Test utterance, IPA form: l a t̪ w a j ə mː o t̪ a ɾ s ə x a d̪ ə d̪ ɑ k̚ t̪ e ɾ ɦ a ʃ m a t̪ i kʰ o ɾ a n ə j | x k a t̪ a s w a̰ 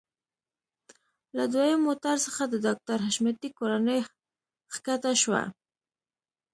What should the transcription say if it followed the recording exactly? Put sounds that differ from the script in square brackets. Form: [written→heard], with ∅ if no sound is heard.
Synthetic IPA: l a [t̪→d̪] w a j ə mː o t̪ a ɾ s ə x a d̪ ə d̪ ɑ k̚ t̪ [e→a] ɾ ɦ a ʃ m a t̪ i [kʰ→k] o ɾ a n ə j | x k a t̪ a [s→ʃ] w a̰

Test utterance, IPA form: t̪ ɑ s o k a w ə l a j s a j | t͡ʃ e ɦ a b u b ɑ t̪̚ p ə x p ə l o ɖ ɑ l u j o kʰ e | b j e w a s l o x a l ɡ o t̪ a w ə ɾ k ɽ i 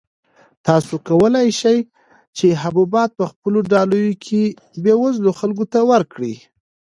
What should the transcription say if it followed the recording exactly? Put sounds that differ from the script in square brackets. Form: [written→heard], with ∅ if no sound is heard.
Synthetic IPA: t̪ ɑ s o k a w ə l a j [s→ʃ] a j | t͡ʃ e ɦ a b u b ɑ t̪̚ p ə x p ə l o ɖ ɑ l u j o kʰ e | b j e w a [s→z] l o x a l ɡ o t̪ a w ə ɾ k ɽ i

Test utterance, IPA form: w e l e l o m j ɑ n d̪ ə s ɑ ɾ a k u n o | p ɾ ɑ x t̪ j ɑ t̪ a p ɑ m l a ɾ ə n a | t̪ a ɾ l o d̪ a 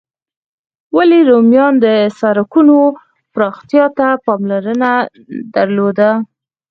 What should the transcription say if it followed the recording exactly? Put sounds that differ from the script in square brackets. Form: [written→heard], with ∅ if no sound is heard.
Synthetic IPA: w [e→a] l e [l→ɾ] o m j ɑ n d̪ ə s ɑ ɾ a k u n o | p ɾ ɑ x t̪ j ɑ t̪ a p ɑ m l a ɾ ə n a | [t̪→d̪] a ɾ l o d̪ a

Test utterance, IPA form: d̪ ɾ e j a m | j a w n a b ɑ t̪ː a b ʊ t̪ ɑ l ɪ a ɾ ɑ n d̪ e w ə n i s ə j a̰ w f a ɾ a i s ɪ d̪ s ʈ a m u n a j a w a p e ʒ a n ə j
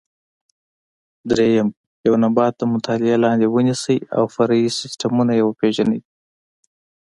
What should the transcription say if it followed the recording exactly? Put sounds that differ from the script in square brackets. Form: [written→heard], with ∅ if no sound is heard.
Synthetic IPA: d̪ ɾ e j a m | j a w n a b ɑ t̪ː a [b→m] ʊ t̪ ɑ l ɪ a [ɾ→l] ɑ n d̪ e w ə n i s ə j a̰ w f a ɾ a i s ɪ [d̪→∅] s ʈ a m u n a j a w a p e ʒ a n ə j

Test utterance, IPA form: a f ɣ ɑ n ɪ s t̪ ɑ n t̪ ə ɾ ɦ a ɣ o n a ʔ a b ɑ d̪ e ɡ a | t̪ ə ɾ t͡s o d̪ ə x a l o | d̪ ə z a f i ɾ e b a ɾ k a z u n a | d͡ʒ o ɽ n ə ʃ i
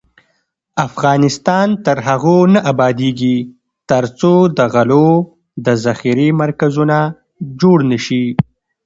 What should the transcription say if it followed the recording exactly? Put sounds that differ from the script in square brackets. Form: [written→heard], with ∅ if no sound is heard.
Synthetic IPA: a f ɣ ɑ n ɪ s t̪ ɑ n t̪ ə ɾ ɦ a ɣ o n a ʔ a b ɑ d̪ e ɡ [a→i] | t̪ ə ɾ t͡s o d̪ ə [x→ɣ] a l o | d̪ ə z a [f→x] i ɾ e [b→m] a ɾ k a z u n a | d͡ʒ o ɽ n ə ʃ i

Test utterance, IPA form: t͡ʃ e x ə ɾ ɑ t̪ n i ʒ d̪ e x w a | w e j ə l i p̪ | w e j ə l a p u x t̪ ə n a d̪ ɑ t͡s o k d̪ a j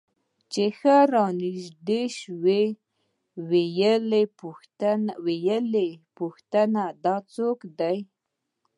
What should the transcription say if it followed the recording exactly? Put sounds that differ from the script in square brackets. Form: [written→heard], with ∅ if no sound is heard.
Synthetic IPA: t͡ʃ e x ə ɾ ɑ [t̪→∅] n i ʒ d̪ e [x→ʃ] w [a→e] | w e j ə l [i→e] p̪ | w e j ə l [a→e] p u x t̪ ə n a d̪ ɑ t͡s o k d̪ a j

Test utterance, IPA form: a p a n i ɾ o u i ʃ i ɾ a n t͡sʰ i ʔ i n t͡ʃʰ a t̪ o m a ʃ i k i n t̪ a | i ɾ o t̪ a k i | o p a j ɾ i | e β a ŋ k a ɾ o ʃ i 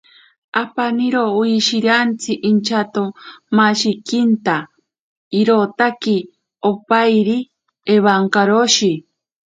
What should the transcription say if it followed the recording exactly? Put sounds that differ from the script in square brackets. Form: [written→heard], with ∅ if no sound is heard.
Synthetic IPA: a p a n i ɾ o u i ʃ i ɾ a n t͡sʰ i ʔ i n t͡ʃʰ a t̪ o m a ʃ i k i n t̪ a | i ɾ o t̪ a k i | o p a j ɾ i | e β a ŋ k a ɾ o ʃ i

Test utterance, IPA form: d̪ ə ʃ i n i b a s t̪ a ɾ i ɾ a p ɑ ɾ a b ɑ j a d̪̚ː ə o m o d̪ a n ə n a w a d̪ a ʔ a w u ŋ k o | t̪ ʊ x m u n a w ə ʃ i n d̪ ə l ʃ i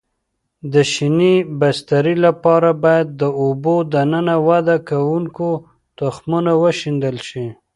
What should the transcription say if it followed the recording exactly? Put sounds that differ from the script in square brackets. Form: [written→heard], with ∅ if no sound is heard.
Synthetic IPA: d̪ ə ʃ i n i b a s t̪ a ɾ i [ɾ→l] a p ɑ ɾ a b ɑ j a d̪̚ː ə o [m→b] o d̪ a n ə n a w a d̪ a [ʔ→k] a w u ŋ k o | t̪ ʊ x m u n a w ə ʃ i n d̪ ə l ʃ i

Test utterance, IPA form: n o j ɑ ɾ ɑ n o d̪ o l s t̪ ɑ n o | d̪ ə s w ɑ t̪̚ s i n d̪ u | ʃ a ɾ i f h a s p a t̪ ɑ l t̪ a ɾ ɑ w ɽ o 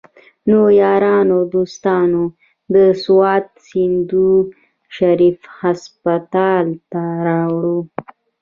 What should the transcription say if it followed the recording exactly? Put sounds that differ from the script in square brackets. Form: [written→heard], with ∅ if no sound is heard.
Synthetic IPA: n o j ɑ ɾ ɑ n o d̪ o [l→∅] s t̪ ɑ n o | d̪ ə s w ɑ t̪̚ s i n d̪ u | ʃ a ɾ i f h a s p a t̪ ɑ l t̪ a ɾ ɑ w ɽ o

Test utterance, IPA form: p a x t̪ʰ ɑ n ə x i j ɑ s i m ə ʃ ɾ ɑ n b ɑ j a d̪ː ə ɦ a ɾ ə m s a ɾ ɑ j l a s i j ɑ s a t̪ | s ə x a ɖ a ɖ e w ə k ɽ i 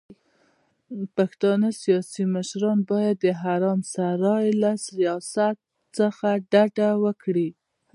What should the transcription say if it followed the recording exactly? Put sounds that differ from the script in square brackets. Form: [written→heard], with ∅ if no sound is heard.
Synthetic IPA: p a x [t̪ʰ→t̪] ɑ n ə [x→s] i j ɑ s i m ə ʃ ɾ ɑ n b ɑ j a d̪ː ə ɦ a ɾ [ə→ɑ] m s a ɾ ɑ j l a s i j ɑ s a t̪ | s ə x a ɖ a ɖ [e→a] w ə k ɽ i

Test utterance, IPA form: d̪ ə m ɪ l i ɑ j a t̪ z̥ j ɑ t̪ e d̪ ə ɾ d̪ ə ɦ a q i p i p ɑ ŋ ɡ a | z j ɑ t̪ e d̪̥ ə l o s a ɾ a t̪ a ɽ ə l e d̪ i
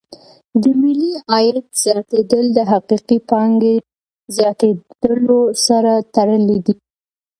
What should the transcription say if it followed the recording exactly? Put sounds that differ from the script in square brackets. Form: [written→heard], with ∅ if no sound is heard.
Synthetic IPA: d̪ ə m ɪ l i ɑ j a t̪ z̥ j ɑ t̪ e d̪ ə [ɾ→l] d̪ ə ɦ a q i [p→q] i p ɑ ŋ ɡ [a→e] | z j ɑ t̪ e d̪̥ ə l o s a ɾ a t̪ a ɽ ə l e d̪ i

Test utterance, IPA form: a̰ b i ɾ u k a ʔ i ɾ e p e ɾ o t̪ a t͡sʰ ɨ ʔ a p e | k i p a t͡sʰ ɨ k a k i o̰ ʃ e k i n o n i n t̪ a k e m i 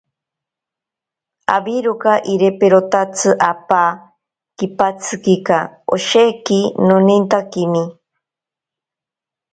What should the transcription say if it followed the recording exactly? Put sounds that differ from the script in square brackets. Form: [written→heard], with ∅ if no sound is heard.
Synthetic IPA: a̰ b i ɾ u k a ʔ i ɾ e p e ɾ o t̪ a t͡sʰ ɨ ʔ a p [e→a] | k i p a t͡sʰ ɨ k [a→i] k [i→a] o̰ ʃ e k i n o n i n t̪ a k [e→i] m i

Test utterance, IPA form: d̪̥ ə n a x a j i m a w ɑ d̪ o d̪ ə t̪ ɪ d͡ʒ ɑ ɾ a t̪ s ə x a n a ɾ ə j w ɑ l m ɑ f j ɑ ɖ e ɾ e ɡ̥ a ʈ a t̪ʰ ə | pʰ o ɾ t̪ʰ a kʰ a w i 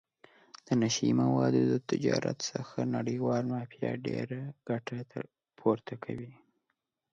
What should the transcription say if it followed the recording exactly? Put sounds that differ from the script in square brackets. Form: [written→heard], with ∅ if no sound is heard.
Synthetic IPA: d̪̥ ə n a [x→ʃ] a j i m a w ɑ d̪ o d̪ ə t̪ ɪ d͡ʒ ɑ ɾ a t̪ s ə x a n a [ɾ→ɽ] ə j w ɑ l m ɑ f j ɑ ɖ e ɾ [e→a] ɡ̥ a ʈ a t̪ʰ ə | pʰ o ɾ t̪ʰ a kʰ a w i

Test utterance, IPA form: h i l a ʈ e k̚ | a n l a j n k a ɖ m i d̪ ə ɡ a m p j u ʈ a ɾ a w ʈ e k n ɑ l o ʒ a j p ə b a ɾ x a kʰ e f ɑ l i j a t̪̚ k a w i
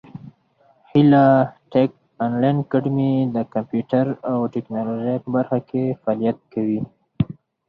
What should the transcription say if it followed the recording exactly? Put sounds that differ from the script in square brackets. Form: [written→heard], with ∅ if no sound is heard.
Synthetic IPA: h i l a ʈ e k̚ | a n l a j n k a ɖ m i d̪ ə [ɡ→k] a m p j u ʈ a ɾ a w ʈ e k n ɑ l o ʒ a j p ə b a ɾ x a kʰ e f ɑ l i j a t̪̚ k a w i

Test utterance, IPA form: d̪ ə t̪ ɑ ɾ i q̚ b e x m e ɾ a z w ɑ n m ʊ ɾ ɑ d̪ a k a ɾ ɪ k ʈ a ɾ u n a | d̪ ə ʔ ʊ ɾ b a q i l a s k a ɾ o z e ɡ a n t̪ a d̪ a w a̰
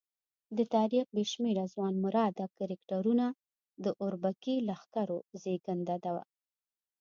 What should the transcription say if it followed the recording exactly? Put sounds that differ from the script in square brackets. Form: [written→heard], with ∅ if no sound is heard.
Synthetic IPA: d̪ ə t̪ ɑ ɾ i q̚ b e [x→ʃ] m e ɾ a z w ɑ n m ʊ ɾ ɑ d̪ a k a ɾ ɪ k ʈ a ɾ u n a | d̪ ə ʔ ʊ ɾ b a [q→k] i l a [s→x] k a ɾ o z e ɡ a n [t̪→d̪] a d̪ a w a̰

